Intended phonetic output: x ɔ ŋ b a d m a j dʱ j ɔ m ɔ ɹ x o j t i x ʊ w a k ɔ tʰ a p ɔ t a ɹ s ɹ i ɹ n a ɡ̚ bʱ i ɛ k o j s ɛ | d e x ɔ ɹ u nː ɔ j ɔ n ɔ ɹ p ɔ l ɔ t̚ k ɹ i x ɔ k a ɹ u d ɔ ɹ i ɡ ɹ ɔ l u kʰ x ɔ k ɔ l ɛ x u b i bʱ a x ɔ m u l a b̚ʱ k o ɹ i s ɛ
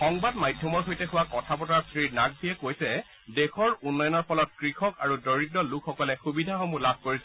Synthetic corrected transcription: x ɔ ŋ b a d m a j dʱ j ɔ m ɔ ɹ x o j t ɛ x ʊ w a k ɔ tʰ a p ɔ t a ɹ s ɹ i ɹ n a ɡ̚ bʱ i ɛ k o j s ɛ | d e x ɔ ɹ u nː ɔ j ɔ n ɔ ɹ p ɔ l ɔ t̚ k ɹ i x ɔ k a ɹ u d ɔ ɹ i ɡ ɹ ɔ l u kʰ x ɔ k ɔ l ɛ x u b i dʱ a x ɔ m u l a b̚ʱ k o ɹ i s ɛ